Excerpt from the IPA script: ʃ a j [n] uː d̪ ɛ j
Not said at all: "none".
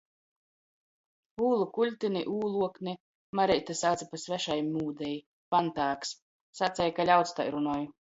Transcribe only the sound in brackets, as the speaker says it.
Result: m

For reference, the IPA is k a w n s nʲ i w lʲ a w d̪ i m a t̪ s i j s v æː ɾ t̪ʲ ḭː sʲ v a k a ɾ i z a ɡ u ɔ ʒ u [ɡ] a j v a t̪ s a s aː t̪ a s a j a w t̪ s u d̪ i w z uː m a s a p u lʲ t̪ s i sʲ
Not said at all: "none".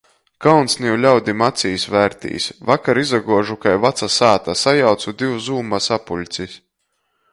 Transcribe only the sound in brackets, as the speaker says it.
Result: k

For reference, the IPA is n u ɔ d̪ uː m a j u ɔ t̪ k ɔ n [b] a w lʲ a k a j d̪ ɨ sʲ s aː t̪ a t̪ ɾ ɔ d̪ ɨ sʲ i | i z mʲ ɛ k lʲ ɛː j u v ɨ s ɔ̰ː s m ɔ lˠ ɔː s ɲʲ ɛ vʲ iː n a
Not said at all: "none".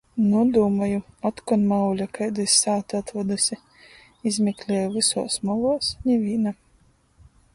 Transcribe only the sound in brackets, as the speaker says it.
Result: m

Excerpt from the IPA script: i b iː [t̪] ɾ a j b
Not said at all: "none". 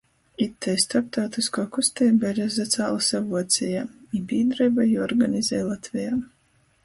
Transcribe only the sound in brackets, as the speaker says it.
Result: d̪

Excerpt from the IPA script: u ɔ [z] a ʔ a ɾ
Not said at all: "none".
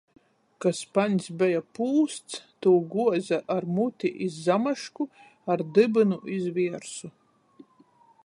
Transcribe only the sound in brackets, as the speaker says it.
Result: z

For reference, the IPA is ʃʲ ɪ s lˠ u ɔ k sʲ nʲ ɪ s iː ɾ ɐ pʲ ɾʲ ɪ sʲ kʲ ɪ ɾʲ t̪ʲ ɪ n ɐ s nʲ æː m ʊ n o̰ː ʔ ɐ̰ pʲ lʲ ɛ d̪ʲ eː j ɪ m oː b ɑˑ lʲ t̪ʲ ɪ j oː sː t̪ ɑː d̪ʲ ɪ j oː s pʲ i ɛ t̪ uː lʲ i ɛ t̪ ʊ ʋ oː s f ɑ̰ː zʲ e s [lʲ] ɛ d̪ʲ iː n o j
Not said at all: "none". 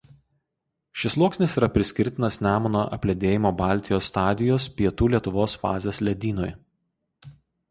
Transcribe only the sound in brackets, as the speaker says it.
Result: lʲ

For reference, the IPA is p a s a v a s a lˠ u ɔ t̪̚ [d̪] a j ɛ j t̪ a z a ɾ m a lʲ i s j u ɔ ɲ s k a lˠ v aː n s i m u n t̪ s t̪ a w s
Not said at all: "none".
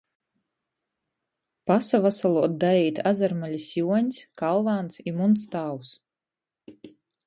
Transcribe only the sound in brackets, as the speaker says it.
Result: d̪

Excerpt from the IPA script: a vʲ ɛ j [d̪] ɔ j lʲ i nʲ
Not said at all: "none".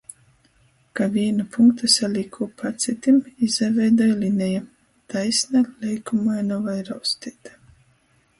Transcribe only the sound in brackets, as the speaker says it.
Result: d̪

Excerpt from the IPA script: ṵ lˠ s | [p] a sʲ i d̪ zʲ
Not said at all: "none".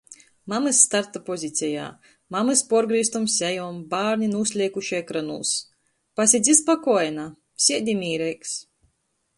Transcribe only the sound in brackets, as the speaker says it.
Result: p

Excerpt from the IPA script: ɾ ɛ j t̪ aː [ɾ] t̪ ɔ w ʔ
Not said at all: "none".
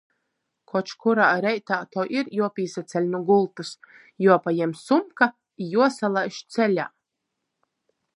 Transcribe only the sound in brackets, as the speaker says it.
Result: none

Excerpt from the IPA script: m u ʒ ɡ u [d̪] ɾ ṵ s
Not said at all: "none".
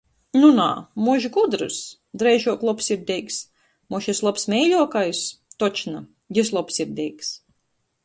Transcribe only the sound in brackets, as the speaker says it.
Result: d̪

